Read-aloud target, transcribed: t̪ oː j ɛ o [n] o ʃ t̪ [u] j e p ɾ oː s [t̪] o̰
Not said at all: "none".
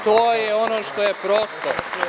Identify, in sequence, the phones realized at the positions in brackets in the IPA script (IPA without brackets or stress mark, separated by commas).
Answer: n, o, t̪